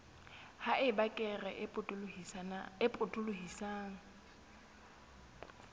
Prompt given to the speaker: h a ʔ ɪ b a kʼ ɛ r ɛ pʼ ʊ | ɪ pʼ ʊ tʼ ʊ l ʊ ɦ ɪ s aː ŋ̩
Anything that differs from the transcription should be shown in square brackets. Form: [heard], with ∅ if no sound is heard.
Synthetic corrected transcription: h a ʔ ɪ b a kʼ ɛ r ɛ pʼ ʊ | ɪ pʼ ʊ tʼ ʊ l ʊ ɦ [i] s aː ŋ̩